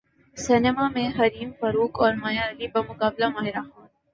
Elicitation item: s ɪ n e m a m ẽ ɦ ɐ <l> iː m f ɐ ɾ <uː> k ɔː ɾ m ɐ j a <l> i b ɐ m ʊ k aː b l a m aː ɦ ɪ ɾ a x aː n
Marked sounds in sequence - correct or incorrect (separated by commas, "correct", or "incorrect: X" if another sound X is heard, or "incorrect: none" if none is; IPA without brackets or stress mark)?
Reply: incorrect: ɾ, correct, correct